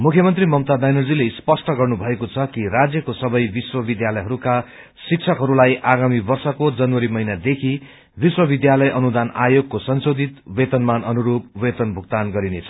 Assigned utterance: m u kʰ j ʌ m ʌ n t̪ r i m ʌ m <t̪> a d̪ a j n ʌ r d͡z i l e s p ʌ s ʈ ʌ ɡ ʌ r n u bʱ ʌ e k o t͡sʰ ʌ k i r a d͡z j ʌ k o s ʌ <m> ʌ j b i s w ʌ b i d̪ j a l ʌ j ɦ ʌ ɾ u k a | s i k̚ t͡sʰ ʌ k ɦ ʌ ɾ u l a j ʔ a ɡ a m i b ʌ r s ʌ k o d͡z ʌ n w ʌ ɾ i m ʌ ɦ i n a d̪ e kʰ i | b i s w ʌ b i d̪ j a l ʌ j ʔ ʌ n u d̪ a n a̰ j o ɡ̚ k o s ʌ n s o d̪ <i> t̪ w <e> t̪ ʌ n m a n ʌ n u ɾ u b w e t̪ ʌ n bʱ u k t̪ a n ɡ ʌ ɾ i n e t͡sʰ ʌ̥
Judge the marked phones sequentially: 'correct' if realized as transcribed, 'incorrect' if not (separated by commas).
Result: correct, incorrect, correct, correct